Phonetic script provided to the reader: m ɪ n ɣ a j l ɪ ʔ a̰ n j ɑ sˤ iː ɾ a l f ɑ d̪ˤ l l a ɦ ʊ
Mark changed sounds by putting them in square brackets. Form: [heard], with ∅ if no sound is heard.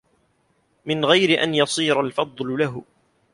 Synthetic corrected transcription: m ɪ n ɣ a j [ɾ] ɪ ʔ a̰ n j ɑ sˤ iː ɾ a l f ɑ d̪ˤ l l a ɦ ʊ

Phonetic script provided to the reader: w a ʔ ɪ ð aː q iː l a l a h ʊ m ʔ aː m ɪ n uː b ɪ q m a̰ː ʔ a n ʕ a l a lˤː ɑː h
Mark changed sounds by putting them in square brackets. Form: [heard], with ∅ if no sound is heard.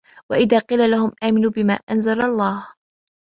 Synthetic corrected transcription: w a ʔ ɪ ð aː q iː l a l a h ʊ m ʔ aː m ɪ n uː b ɪ [∅] m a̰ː ʔ a n [z] a l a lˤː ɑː h

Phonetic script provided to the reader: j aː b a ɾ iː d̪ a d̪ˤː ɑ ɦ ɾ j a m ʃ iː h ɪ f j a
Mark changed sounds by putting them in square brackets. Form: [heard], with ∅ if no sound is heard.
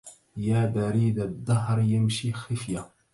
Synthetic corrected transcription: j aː b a ɾ iː d̪ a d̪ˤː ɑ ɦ ɾ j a m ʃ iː [x] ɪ f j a

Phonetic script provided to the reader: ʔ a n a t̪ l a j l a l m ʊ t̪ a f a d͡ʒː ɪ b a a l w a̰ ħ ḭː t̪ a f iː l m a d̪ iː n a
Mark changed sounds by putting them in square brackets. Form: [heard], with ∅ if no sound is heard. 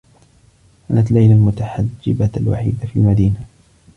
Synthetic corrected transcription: ʔ a n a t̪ l a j l a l m ʊ t̪ a [ħ] a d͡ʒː ɪ b a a l w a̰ ħ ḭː [d̪] a f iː l m a d̪ iː n a

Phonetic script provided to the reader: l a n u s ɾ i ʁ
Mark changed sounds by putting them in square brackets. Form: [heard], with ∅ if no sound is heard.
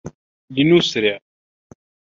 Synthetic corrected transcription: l [i] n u s ɾ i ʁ

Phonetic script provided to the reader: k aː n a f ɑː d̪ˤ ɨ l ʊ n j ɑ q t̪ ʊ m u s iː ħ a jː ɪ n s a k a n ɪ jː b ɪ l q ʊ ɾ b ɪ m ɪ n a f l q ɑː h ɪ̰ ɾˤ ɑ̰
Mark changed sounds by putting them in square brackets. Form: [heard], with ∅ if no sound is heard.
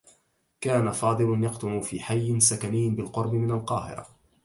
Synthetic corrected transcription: k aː n a f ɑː d̪ˤ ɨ l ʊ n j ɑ q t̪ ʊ m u [f] iː ħ a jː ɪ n s a k a n ɪ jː b ɪ l q ʊ ɾ b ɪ m ɪ n a [∅] l q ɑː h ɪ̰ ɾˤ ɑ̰

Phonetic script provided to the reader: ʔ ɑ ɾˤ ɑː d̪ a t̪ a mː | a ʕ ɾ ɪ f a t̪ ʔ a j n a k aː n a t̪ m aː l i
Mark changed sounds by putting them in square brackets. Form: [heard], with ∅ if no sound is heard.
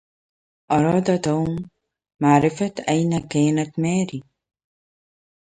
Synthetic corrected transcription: ʔ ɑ ɾˤ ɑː d̪ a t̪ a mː | a ʕ ɾ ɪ f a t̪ ʔ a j n a k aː n a t̪ m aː [ɾ] i

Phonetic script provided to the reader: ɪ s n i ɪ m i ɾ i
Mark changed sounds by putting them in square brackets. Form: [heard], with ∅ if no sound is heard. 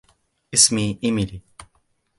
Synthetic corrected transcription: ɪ s [m] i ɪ m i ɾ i

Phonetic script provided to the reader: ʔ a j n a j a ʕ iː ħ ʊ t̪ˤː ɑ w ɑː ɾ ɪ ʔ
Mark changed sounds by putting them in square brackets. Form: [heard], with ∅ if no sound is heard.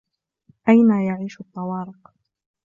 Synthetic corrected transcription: ʔ a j n a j a ʕ iː [ʃ] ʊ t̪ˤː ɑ w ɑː ɾ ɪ [q]

